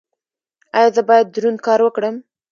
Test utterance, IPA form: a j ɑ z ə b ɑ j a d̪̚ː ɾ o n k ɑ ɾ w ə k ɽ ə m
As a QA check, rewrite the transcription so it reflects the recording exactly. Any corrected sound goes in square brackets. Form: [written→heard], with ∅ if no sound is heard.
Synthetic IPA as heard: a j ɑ z ə b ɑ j a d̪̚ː ɾ [o→u] n k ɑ ɾ w ə k ɽ ə m